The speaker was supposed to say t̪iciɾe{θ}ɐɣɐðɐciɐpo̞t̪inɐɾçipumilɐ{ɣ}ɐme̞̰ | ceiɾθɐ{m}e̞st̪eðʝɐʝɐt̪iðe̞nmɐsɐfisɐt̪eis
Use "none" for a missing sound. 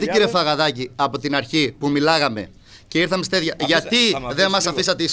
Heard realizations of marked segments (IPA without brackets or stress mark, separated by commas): f, ɣ, m